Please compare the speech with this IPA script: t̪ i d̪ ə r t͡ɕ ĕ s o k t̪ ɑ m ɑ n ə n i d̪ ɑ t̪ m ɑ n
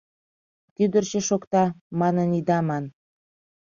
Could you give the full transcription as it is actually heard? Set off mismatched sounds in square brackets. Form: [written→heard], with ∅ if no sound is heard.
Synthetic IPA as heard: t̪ [i→y] d̪ ə r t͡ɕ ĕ [s→ʃ] o k t̪ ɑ m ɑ n ə n i d̪ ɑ [t̪→∅] m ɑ n